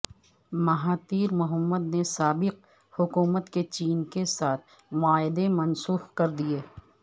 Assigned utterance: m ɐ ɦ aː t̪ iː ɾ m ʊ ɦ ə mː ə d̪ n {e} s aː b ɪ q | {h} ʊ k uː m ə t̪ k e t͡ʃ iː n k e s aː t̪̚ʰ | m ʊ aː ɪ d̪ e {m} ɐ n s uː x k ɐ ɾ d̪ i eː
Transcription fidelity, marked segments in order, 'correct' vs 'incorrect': correct, correct, correct

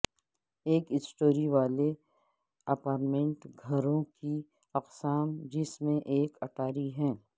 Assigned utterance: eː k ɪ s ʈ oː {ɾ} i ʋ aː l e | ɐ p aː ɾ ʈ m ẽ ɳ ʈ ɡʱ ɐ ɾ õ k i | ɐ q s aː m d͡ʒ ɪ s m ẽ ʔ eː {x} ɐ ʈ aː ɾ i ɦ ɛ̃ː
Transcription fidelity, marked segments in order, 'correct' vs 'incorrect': correct, incorrect: k

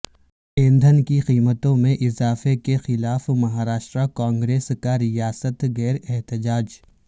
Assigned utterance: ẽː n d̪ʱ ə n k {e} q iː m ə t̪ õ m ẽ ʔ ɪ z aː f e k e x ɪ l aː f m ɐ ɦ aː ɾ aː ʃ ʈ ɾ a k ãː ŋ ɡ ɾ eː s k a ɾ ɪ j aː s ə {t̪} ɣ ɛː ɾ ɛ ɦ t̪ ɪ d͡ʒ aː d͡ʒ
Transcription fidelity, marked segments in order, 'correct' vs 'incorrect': incorrect: i, correct

